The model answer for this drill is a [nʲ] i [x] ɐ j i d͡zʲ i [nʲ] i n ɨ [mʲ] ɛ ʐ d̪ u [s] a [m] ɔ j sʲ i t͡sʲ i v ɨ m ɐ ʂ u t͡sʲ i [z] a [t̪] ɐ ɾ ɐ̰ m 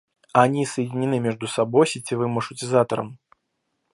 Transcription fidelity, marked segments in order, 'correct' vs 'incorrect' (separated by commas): correct, incorrect, correct, correct, correct, incorrect, correct, correct